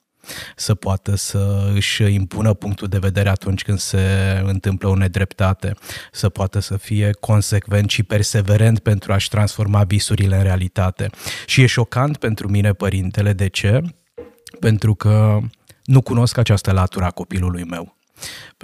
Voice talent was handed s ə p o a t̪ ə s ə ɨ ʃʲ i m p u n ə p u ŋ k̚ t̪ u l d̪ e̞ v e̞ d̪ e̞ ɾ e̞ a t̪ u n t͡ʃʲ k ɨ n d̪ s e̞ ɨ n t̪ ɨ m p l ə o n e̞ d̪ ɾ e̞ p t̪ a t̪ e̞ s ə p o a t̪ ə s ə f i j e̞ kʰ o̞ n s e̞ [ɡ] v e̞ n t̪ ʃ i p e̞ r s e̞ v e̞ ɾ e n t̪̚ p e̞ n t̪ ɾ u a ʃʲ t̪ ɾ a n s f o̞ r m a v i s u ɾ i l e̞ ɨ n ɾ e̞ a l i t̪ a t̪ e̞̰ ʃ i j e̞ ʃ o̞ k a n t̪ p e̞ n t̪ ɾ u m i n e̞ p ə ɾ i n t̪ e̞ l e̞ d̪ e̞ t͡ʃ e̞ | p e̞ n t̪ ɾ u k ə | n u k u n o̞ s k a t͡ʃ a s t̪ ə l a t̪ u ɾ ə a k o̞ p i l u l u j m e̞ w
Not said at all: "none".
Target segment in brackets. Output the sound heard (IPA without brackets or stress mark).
k